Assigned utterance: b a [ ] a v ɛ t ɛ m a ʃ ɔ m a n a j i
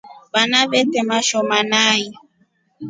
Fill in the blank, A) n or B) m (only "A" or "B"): A